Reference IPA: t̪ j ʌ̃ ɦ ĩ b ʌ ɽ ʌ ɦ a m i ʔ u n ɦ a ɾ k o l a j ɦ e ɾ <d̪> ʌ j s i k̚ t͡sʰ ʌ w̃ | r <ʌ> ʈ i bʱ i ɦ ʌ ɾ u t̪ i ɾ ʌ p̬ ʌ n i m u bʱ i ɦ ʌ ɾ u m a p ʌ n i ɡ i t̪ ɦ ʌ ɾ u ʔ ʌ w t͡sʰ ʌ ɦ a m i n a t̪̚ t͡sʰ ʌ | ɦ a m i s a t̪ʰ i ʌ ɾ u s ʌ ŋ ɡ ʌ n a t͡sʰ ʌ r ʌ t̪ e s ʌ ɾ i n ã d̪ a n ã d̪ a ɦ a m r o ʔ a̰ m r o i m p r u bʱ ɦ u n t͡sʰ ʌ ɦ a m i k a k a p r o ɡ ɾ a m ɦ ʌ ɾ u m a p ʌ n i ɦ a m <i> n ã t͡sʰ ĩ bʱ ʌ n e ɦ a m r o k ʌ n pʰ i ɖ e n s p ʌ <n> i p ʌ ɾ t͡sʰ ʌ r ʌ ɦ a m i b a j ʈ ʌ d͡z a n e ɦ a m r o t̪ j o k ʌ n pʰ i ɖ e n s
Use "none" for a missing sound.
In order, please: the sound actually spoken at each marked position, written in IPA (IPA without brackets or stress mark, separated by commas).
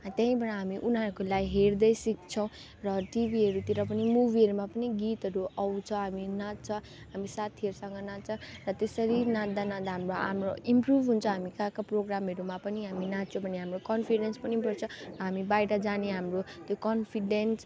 d̪, ʌ, i, n